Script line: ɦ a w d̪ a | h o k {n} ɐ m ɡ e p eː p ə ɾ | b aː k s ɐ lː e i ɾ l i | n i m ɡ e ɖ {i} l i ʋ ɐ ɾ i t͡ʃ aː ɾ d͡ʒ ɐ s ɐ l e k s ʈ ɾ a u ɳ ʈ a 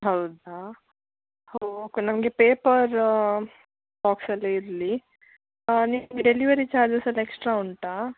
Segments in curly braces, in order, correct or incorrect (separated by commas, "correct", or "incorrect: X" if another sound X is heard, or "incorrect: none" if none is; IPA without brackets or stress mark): correct, incorrect: e